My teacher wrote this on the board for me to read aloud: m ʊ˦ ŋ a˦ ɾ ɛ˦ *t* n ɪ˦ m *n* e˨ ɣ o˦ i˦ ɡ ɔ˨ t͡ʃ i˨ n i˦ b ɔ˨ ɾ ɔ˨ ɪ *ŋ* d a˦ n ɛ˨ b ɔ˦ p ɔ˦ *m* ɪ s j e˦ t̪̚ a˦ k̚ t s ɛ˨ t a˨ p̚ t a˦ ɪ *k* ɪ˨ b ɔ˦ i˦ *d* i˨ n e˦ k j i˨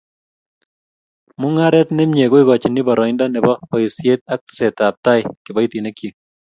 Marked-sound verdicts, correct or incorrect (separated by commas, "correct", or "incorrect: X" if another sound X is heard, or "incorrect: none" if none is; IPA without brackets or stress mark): correct, incorrect: ɲ, incorrect: n, incorrect: none, correct, incorrect: t